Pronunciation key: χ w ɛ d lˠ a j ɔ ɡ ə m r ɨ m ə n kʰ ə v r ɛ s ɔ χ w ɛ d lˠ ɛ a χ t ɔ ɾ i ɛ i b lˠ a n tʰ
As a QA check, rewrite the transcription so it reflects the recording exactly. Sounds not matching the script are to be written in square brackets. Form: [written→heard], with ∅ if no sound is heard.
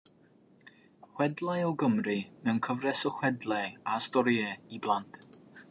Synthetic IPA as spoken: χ w ɛ d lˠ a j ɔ ɡ ə m r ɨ [m→n] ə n kʰ ə v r ɛ s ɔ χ w ɛ d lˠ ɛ a [χ→s] t ɔ ɾ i ɛ i b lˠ a n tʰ